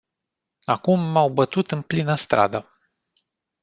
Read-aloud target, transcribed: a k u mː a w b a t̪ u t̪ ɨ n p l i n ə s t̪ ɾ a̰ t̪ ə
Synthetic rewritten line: a k u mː a w b ə t̪ u t̪ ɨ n p l i n ə s t̪ ɾ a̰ d̪ ə